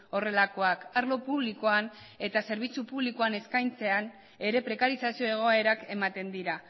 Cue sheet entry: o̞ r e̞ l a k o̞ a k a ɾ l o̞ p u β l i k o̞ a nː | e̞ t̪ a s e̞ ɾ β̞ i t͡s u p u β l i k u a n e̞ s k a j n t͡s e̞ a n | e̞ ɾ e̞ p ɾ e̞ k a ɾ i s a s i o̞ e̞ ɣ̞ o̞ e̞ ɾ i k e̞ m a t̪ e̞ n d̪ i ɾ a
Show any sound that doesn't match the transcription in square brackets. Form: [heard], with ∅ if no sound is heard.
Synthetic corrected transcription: o̞ r e̞ l a k o̞ a k a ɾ l o̞ p u β l i k o̞ a [n] | e̞ t̪ a s e̞ ɾ β̞ i t͡s u p u β l i k [o] a n e̞ s k a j n t͡s e̞ a n | e̞ ɾ e̞ p ɾ e̞ k a ɾ i s a s i o̞ e̞ ɣ̞ o̞ e̞ ɾ [a] k e̞ m a t̪ e̞ n d̪ i ɾ a